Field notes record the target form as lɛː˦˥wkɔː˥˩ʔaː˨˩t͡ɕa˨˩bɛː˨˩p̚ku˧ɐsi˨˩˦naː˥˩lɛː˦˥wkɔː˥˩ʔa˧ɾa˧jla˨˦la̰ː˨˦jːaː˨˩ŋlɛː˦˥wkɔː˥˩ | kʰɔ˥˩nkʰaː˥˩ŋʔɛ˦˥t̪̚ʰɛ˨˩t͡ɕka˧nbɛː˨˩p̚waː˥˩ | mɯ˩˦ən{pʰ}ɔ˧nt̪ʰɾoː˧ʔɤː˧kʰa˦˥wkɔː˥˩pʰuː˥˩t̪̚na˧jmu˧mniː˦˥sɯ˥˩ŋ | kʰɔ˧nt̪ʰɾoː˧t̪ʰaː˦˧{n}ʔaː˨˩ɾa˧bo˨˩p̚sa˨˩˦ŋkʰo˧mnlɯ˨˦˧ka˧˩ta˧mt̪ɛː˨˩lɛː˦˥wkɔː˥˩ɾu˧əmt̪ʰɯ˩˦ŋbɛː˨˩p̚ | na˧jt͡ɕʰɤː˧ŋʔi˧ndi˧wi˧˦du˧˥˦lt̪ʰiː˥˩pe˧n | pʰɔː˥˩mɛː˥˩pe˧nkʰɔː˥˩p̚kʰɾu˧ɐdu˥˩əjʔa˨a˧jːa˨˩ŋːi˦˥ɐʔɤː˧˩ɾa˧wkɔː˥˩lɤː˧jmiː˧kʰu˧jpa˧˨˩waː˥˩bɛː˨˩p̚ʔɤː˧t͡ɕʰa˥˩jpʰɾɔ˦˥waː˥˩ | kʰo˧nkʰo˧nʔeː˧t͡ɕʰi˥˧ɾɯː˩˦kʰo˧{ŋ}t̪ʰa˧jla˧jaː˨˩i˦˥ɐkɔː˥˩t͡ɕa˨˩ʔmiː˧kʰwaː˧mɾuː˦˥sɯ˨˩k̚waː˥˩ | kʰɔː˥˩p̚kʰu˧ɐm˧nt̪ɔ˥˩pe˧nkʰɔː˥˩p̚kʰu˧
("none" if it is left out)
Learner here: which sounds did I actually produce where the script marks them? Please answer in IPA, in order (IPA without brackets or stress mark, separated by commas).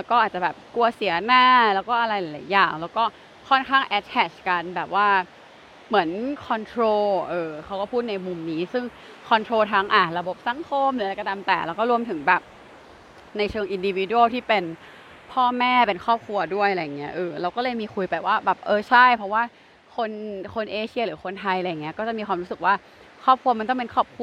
kʰ, ŋ, n